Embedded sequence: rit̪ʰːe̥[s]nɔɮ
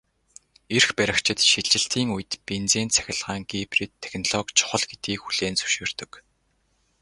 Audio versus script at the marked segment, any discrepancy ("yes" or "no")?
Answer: yes